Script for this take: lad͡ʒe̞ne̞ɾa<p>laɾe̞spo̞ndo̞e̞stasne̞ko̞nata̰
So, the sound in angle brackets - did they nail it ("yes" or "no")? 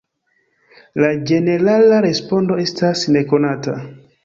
no